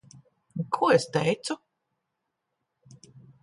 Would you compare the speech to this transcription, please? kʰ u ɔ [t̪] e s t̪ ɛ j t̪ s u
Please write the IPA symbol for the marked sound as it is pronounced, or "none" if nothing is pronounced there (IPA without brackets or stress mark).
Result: none